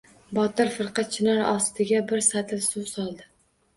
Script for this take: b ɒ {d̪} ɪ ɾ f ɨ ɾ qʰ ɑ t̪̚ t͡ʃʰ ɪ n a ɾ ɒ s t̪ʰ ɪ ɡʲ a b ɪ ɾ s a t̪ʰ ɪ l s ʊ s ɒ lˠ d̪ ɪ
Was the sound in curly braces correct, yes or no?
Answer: no